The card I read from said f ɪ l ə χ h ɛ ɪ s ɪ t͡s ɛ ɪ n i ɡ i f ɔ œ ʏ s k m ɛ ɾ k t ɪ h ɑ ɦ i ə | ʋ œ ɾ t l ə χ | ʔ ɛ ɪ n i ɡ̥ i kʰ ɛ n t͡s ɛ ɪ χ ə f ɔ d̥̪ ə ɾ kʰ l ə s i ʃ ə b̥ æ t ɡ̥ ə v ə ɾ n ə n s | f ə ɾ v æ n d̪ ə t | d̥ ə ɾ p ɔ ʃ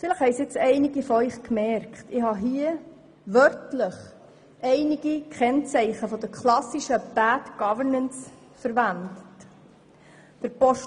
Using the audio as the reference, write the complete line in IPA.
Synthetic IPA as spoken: f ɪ l ə χ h ɛ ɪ s ɪ t͡s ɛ ɪ n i ɡ i f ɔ œ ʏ χ k m ɛ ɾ k t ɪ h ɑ ɦ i ə | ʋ œ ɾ t l ə χ | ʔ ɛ ɪ n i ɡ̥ i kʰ ɛ n t͡s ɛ ɪ χ ə f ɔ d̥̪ ə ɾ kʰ l ɑ s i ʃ ə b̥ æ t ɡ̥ ɑ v ə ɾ n ə n s | f ə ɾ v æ n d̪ ə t | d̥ ə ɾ p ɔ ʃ